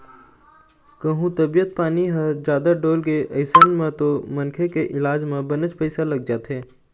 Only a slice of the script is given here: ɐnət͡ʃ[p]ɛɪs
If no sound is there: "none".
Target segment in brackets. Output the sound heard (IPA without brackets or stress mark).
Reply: p